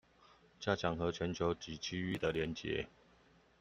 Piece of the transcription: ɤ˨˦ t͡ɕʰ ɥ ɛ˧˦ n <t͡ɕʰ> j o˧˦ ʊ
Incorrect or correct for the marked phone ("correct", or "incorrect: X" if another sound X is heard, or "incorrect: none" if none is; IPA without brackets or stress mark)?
correct